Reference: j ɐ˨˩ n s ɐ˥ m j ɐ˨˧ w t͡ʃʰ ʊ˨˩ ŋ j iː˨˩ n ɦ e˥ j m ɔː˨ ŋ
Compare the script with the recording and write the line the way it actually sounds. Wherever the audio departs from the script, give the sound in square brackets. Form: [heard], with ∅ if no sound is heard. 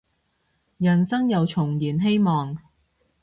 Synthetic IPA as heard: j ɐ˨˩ n s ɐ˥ [ŋ] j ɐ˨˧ w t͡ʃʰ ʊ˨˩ ŋ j iː˨˩ n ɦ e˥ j m ɔː˨ ŋ